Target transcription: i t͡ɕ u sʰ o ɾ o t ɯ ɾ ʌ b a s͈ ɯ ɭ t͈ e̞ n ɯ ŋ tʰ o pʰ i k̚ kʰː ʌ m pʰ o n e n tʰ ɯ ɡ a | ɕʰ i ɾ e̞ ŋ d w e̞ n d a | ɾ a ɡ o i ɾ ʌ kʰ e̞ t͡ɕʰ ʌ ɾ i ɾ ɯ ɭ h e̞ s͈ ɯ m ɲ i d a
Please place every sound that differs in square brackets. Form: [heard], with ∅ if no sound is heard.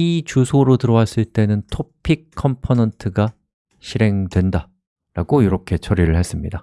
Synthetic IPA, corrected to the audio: i t͡ɕ u sʰ o ɾ o t ɯ ɾ ʌ [w] a s͈ ɯ ɭ t͈ e̞ n ɯ [n] tʰ o pʰ i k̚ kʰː ʌ m pʰ o n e n tʰ ɯ ɡ a | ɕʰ i ɾ e̞ ŋ d w e̞ n d a | ɾ a ɡ o i ɾ ʌ kʰ e̞ t͡ɕʰ ʌ ɾ i ɾ ɯ ɭ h e̞ s͈ ɯ m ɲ i d a

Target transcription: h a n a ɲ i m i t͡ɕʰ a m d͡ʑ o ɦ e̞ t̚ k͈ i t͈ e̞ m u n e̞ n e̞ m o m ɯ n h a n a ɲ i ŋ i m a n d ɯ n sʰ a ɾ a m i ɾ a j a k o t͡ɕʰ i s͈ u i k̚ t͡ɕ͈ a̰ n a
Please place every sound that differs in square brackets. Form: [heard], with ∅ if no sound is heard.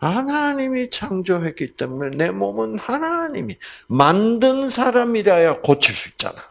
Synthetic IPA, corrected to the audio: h a n a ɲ i m i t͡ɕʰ a [ŋ] d͡ʑ o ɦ e̞ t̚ k͈ i t͈ e̞ m u n e̞ n e̞ m o m ɯ n h a n a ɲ i [m] i m a n d ɯ n sʰ a ɾ a m i ɾ a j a k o t͡ɕʰ i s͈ u i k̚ t͡ɕ͈ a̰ n a

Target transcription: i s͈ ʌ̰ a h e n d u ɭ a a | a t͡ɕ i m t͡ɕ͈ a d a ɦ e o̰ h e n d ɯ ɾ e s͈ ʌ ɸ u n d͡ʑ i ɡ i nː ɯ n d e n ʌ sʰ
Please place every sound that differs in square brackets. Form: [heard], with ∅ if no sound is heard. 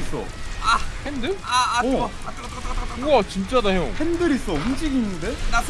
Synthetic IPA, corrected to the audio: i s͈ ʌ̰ a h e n d [ɯ] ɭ a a | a t͡ɕ i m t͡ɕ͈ a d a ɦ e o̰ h e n d ɯ ɾ [i] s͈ ʌ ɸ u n d͡ʑ i ɡ i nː ɯ n d e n [a] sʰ

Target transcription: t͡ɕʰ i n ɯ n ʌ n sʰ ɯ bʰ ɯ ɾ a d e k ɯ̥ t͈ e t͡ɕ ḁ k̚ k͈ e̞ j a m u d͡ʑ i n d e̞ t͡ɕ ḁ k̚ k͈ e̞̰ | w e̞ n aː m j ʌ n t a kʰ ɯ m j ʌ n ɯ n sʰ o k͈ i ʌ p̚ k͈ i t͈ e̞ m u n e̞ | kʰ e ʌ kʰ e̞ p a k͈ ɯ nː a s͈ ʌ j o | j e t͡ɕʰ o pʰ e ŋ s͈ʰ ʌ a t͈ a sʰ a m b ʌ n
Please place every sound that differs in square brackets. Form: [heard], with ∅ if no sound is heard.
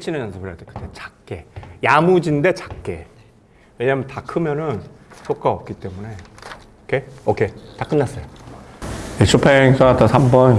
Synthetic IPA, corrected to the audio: t͡ɕʰ i n ɯ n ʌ n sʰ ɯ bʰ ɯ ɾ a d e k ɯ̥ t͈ e t͡ɕ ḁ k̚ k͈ e̞ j a m u d͡ʑ i n d e̞ t͡ɕ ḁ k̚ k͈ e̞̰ | w e̞ [ɲ] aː m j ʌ n t a kʰ ɯ m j ʌ n ɯ n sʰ o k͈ [a] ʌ p̚ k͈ i t͈ e̞ m u n e̞ | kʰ e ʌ kʰ e̞ [t] a k͈ ɯ nː a s͈ ʌ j o | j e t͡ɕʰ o pʰ e ŋ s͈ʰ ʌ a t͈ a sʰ a m b ʌ n

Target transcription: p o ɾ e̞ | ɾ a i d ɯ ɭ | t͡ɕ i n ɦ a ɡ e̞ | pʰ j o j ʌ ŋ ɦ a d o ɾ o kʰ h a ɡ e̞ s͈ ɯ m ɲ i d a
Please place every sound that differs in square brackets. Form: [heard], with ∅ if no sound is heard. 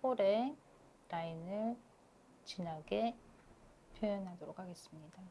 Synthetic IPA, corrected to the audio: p o ɾ e̞ | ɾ a i [n] ɯ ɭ | t͡ɕ i n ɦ a ɡ e̞ | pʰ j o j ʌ [n] ɦ a d o ɾ o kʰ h a ɡ e̞ s͈ ɯ m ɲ i d a

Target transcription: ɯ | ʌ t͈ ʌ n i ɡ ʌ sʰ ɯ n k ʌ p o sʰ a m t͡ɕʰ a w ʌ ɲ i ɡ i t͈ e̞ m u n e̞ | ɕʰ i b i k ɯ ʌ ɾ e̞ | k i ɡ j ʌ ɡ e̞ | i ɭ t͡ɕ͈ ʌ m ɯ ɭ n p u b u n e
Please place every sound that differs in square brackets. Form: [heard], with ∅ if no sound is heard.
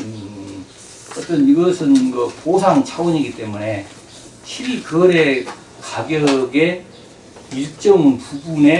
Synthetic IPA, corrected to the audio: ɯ | ʌ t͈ ʌ n i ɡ ʌ sʰ ɯ n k ʌ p o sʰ a [ŋ] t͡ɕʰ a w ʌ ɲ i ɡ i t͈ e̞ m u n e̞ | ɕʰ i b i k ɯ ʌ ɾ e̞ | k [a] ɡ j ʌ ɡ e̞ | i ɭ t͡ɕ͈ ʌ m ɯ [∅] n p u b u n e

